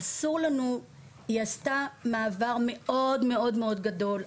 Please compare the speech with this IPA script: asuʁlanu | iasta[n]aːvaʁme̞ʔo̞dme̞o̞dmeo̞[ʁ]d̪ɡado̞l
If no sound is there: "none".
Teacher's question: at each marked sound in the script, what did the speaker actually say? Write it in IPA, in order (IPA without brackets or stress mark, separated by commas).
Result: m, none